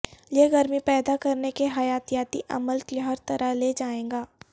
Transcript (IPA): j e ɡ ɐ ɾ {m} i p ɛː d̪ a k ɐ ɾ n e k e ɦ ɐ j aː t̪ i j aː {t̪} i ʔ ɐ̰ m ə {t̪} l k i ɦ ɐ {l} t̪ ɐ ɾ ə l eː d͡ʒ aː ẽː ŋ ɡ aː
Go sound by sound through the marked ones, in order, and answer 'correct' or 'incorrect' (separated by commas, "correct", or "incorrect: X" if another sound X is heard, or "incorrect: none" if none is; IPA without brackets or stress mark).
correct, correct, incorrect: none, incorrect: ɾ